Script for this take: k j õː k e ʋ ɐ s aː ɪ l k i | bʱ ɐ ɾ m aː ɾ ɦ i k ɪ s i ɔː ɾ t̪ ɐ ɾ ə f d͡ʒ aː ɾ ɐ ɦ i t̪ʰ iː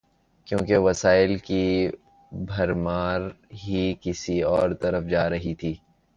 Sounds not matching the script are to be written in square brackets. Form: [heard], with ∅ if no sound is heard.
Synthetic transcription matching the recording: k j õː k e ʋ ɐ s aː ɪ l k i | bʱ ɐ ɾ m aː ɾ ɦ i k ɪ s i ɔː ɾ t̪ ɐ ɾ ə f d͡ʒ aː ɾ ɐ ɦ i t̪ʰ iː